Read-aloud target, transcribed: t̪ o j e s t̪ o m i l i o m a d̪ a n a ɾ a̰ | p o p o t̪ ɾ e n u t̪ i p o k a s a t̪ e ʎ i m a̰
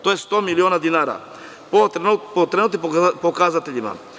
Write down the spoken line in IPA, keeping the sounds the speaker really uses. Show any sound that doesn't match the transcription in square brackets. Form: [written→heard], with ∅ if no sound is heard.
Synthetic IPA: t̪ o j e s t̪ o m i l i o [m→n] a d̪ [a→i] n a ɾ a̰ | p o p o t̪ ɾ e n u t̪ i p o k a [s→z] a t̪ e ʎ i m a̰